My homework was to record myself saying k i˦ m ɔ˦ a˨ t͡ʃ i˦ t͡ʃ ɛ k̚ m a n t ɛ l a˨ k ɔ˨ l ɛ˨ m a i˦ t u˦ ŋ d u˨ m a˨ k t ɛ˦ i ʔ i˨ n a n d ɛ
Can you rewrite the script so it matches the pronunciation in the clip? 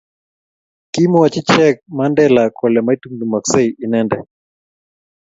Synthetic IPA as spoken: k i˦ m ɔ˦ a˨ t͡ʃ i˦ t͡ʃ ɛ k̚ m a n d ɛ l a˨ k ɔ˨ l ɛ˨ m a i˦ t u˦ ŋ d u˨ m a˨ k s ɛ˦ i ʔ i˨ n ɛ n d ɛ